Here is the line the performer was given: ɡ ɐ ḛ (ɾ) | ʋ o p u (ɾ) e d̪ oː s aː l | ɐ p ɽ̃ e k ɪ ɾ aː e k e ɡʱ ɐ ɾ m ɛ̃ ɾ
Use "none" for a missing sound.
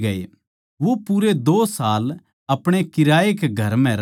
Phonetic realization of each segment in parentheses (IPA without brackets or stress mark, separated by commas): none, ɾ